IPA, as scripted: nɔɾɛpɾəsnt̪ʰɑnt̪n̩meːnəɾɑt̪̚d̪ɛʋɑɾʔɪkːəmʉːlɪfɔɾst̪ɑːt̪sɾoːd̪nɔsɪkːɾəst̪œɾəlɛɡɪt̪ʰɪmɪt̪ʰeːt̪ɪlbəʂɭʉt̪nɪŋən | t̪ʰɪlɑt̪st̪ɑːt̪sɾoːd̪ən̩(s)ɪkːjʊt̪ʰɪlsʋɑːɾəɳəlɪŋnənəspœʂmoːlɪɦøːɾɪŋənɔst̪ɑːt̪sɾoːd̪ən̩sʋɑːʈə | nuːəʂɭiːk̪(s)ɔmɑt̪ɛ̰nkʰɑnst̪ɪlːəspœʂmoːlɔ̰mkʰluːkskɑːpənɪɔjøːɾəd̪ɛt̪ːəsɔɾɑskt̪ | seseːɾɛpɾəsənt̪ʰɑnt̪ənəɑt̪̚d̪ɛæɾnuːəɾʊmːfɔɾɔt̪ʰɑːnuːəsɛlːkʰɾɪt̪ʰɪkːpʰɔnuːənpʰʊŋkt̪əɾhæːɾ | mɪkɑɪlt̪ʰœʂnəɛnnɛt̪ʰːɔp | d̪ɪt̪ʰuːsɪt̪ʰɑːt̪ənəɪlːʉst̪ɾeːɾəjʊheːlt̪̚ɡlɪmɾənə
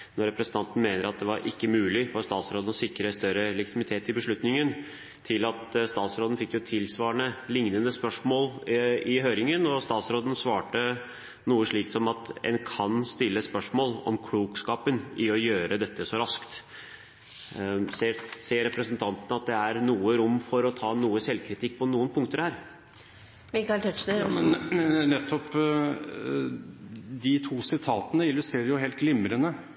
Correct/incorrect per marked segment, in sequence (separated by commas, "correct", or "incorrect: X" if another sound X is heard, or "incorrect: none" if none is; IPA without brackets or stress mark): incorrect: f, correct